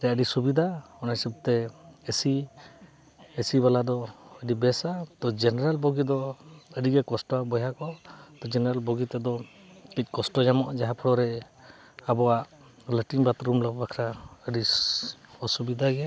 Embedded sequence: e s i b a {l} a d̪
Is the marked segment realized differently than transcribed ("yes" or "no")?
no